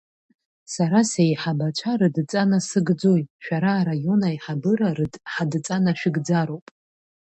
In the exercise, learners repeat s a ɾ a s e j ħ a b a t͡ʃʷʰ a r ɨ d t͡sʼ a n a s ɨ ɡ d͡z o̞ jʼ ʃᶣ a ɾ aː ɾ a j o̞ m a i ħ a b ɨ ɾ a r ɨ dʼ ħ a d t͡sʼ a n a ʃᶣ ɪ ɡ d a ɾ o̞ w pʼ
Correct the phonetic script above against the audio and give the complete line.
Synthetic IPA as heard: s a ɾ a s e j ħ a b a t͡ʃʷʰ a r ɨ d t͡sʼ a n a s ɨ ɡ d͡z o̞ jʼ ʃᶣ a ɾ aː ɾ a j o̞ n a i ħ a b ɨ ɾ a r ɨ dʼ ħ a d t͡sʼ a n a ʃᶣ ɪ ɡ d͡z a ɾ o̞ w pʼ